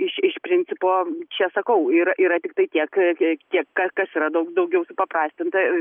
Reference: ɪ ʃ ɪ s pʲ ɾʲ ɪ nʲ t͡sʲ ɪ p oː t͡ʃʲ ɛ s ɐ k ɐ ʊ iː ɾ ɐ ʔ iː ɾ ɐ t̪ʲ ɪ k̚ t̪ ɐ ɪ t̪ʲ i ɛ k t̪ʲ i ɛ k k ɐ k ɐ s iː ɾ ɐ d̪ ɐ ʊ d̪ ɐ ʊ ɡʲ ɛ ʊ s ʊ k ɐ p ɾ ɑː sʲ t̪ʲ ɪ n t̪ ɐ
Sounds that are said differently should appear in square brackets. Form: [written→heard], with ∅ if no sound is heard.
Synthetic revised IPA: ɪ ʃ ɪ [s→ʃ] pʲ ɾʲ ɪ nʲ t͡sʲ ɪ p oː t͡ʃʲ ɛ s ɐ k ɐ ʊ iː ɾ ɐ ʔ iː ɾ ɐ t̪ʲ ɪ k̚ t̪ ɐ ɪ t̪ʲ i ɛ k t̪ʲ i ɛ k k ɐ k ɐ s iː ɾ ɐ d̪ ɐ ʊ d̪ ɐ ʊ ɡʲ ɛ ʊ s ʊ [k→p] ɐ p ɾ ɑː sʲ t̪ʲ ɪ n t̪ ɐ

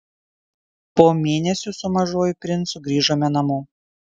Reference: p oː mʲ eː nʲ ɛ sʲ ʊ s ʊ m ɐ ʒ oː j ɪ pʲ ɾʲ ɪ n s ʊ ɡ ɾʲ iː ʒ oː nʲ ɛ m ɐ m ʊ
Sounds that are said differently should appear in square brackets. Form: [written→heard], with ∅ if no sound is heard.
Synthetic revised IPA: p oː mʲ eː nʲ ɛ sʲ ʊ s ʊ m ɐ ʒ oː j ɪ pʲ ɾʲ ɪ n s ʊ ɡ ɾʲ iː ʒ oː [nʲ→mʲ] ɛ [m→n] ɐ m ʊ

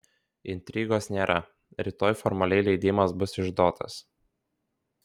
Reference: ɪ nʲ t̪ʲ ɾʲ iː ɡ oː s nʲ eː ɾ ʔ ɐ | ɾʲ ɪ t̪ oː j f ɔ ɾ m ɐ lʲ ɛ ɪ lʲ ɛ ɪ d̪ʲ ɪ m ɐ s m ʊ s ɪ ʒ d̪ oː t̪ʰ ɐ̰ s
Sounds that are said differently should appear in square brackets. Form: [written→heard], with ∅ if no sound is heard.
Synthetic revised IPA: ɪ nʲ t̪ʲ ɾʲ iː ɡ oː s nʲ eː ɾ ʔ ɐ | ɾʲ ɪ t̪ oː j f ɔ ɾ m ɐ lʲ ɛ ɪ lʲ ɛ ɪ d̪ʲ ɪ m ɐ s [m→b] ʊ s ɪ ʒ d̪ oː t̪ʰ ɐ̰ s

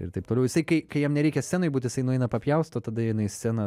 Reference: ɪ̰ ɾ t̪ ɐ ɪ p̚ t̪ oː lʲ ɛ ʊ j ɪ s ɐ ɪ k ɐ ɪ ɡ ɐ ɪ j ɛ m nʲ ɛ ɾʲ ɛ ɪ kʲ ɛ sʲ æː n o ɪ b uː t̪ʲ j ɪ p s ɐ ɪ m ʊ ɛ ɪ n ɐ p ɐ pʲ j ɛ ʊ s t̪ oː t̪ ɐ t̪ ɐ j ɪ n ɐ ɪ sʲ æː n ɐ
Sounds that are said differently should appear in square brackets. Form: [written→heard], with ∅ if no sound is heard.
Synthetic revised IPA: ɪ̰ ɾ t̪ ɐ ɪ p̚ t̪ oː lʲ ɛ ʊ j ɪ s ɐ ɪ k ɐ ɪ [ɡ→k] ɐ ɪ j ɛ m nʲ ɛ ɾʲ ɛ ɪ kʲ ɛ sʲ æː n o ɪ b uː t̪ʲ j ɪ [p→∅] s ɐ ɪ [m→n] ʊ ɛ ɪ n ɐ p ɐ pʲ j ɛ ʊ s t̪ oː t̪ ɐ [t̪→d̪] ɐ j ɪ n ɐ ɪ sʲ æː n ɐ

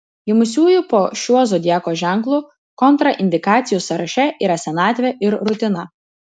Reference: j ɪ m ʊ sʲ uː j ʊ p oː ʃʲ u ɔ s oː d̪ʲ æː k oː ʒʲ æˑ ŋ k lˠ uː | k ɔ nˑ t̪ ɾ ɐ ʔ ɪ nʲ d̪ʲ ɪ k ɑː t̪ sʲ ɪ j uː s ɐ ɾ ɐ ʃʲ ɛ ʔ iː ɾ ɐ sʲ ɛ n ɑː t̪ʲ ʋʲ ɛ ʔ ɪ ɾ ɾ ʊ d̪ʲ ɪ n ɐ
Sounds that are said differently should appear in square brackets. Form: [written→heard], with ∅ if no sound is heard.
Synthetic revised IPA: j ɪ m ʊ sʲ uː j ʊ p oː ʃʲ u ɔ [s→z] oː d̪ʲ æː k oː ʒʲ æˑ ŋ k lˠ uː | k ɔ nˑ t̪ ɾ ɐ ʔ ɪ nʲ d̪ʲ ɪ k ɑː t̪ sʲ ɪ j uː s ɐ ɾ ɐ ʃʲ ɛ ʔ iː ɾ ɐ sʲ ɛ n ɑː t̪ʲ ʋʲ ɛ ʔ ɪ ɾ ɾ ʊ [d̪ʲ→t̪ʲ] ɪ n ɐ

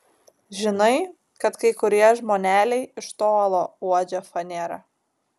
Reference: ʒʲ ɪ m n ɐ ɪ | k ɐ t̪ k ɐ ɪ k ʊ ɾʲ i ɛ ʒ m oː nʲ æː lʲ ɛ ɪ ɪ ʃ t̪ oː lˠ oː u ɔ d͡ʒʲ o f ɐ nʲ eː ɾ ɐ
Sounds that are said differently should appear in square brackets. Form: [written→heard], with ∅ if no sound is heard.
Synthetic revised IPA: ʒʲ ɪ [m→∅] n ɐ ɪ | k ɐ t̪ k ɐ ɪ k ʊ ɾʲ i ɛ ʒ m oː nʲ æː lʲ ɛ ɪ ɪ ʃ t̪ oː lˠ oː u ɔ d͡ʒʲ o f ɐ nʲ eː ɾ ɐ

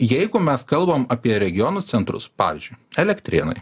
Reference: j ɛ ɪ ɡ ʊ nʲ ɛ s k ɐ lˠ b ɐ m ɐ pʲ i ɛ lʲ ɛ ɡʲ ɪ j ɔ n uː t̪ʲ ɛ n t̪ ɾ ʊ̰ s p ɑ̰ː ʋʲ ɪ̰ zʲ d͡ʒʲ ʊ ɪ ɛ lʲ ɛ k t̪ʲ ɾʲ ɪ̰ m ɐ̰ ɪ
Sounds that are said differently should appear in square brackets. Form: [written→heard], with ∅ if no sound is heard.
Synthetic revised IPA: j ɛ ɪ ɡ ʊ [nʲ→mʲ] ɛ s k ɐ lˠ b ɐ m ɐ pʲ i ɛ [lʲ→ɾʲ] ɛ ɡʲ ɪ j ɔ n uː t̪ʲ ɛ n t̪ ɾ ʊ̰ s p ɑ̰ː ʋʲ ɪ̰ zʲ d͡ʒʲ ʊ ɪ ɛ lʲ ɛ k t̪ʲ ɾʲ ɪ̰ [m→n] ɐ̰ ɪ

